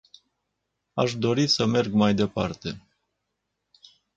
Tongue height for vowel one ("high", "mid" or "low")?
low